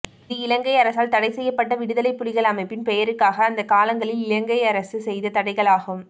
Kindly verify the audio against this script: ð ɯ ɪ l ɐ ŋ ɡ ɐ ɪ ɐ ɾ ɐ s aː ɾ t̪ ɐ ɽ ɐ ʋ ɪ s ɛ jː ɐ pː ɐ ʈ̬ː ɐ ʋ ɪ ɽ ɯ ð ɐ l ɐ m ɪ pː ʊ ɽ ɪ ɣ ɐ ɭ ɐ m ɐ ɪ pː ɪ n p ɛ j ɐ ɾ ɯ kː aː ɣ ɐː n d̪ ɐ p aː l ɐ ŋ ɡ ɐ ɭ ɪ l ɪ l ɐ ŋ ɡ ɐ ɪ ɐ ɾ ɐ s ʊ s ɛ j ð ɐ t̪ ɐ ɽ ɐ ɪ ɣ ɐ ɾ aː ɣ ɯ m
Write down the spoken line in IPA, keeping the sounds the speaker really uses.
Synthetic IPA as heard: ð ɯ ɪ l ɐ ŋ ɡ ɐ ɪ ɐ ɾ ɐ s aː l t̪ ɐ ɽ ɐ ɪ s ɛ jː ɐ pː ɐ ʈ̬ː ɐ ʋ ɪ ɽ ɯ ð ɐ l ɐ ɪ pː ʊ ɽ ɪ ɣ ɐ ɭ ɐ m ɐ ɪ pː ɪ n p ɛ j ɐ ɾ ɯ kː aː ɣ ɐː n d̪ ɐ k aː l ɐ ŋ ɡ ɐ ɭ ɪ l ɪ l ɐ ŋ ɡ ɐ ɪ ɐ ɾ ɐ s ɯ s ɛ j ð ɐ t̪ ɐ ɽ ɐ ɪ ɣ ɐ ɭ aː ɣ ɯ m